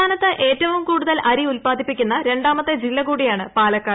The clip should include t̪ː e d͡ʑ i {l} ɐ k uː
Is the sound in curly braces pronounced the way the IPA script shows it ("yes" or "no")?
no